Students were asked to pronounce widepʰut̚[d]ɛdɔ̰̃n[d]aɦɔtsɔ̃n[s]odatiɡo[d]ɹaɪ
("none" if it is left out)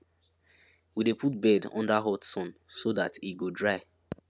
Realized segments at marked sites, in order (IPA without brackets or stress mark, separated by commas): b, d, s, d